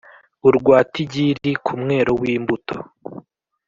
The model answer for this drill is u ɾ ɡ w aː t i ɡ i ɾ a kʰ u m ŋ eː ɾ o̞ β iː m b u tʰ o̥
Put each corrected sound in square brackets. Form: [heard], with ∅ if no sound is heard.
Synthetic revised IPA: u ɾ ɡ w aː t i [ɟ] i ɾ [i] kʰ u m ŋ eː ɾ o̞ [w] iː m b u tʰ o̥